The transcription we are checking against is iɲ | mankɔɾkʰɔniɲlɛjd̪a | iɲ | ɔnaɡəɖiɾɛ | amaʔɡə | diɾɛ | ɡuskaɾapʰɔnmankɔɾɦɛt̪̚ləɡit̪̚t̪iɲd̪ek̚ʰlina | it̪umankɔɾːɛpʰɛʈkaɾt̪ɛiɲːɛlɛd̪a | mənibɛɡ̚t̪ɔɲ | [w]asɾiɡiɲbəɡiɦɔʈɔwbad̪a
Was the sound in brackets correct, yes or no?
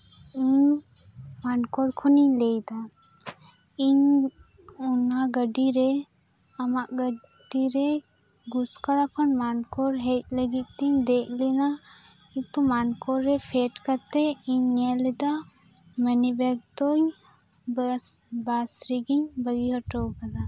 no